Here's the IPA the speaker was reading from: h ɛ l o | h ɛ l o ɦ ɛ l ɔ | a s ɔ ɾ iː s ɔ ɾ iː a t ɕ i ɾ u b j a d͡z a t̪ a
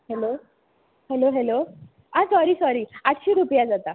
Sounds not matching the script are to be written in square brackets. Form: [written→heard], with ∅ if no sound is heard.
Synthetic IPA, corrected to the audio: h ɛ l o | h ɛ l o ɦ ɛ l [ɔ→o] | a s ɔ ɾ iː s ɔ ɾ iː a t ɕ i ɾ u [b→p] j a d͡z a t̪ a